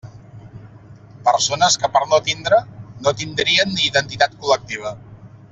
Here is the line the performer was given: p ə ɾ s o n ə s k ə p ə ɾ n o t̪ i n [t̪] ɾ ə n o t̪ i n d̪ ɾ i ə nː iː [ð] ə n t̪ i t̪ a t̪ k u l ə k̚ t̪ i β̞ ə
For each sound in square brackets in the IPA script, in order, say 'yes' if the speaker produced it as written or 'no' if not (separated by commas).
no, yes